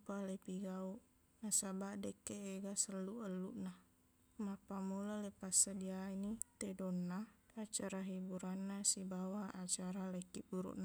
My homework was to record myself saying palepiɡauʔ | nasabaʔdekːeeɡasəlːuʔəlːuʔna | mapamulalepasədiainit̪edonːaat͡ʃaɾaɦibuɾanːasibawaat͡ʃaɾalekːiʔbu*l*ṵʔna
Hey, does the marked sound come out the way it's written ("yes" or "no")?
no